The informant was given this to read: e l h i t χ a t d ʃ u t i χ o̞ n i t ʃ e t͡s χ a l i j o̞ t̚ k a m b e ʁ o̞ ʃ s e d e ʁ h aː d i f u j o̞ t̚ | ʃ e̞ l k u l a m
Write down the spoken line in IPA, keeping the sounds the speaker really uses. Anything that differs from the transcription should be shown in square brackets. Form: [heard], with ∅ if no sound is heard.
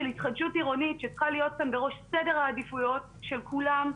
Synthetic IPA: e l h i t χ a [∅] d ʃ u t i [ʁ] o̞ n i t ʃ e t͡s χ a l i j o̞ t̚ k a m b e ʁ o̞ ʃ s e d e ʁ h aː d i f u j o̞ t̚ | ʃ e̞ l k u l a m